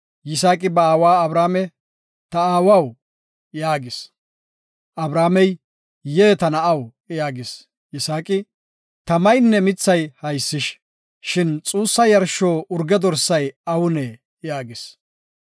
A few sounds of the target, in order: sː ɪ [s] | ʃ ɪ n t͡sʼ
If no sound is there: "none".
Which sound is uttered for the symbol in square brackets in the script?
ʃ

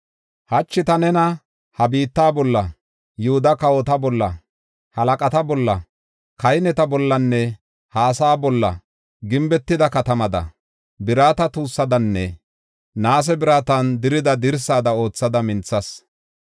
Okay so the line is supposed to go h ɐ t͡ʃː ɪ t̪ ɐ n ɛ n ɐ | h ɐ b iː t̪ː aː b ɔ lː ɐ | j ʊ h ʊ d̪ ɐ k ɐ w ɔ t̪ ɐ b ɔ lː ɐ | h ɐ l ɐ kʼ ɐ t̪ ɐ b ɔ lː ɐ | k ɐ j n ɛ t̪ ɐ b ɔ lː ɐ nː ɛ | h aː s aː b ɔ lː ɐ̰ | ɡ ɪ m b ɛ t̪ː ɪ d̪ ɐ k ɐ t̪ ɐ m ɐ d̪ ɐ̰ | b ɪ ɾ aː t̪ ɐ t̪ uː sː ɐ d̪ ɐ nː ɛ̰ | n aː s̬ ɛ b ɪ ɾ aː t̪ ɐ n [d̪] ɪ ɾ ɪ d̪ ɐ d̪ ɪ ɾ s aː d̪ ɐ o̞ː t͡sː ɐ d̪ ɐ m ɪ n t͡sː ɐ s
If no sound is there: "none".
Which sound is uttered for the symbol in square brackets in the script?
d̪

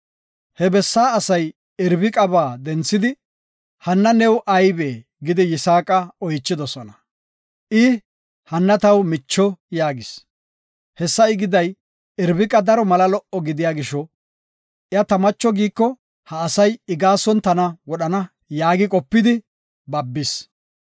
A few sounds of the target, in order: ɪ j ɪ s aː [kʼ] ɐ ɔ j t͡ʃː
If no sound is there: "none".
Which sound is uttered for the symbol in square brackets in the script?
kʼ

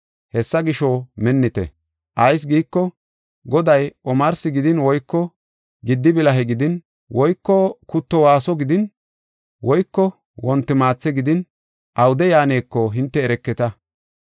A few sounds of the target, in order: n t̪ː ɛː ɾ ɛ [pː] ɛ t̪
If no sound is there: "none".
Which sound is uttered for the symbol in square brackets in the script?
kː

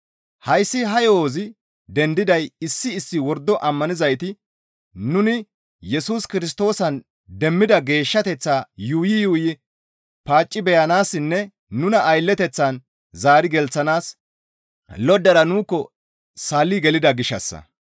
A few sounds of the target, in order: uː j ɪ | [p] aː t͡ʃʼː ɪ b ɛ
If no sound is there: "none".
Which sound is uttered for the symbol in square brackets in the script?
p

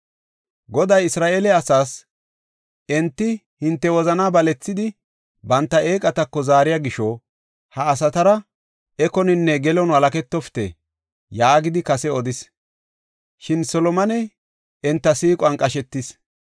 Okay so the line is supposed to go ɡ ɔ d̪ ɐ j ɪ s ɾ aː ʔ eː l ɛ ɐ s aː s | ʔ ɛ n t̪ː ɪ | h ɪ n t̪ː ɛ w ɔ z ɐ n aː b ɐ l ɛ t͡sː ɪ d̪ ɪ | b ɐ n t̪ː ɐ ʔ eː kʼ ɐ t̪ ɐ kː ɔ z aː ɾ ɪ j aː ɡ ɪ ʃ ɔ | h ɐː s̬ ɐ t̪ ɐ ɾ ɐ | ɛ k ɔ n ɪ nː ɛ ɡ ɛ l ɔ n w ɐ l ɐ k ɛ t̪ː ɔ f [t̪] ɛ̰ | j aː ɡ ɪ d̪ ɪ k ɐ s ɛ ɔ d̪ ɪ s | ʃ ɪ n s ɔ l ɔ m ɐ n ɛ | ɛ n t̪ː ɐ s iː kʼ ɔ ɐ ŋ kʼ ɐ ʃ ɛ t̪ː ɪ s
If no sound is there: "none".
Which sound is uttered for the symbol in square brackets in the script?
t̪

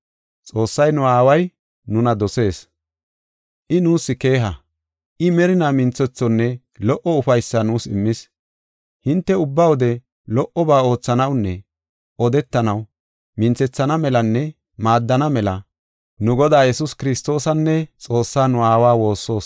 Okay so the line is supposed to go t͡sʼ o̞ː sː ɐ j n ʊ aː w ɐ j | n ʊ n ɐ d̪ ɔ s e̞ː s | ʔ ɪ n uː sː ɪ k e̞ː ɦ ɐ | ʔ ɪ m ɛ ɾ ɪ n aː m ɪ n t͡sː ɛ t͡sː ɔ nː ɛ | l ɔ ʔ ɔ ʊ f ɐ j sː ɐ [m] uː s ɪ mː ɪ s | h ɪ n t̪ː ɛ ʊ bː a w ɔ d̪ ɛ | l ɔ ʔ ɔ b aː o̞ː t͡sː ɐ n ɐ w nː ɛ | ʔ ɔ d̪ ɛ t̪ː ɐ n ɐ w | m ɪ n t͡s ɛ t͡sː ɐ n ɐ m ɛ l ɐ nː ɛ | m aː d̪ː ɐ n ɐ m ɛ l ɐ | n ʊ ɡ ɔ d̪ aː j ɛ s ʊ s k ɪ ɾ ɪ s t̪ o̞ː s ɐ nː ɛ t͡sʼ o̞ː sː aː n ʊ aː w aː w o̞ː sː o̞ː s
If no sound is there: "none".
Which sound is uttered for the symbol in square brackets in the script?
n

